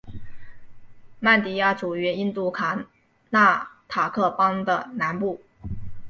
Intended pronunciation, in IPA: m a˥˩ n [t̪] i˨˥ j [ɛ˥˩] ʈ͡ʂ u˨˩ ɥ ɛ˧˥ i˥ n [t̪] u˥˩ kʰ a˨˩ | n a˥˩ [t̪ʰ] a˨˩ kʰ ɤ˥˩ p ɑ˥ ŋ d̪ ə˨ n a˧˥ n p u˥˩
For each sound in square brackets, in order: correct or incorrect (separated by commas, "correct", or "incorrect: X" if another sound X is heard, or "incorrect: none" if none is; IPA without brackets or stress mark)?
correct, incorrect: a˥˩, correct, correct